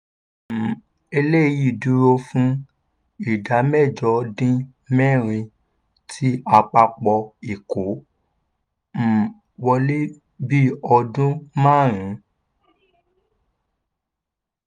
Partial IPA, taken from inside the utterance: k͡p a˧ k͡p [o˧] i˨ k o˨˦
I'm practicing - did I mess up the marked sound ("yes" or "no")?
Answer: yes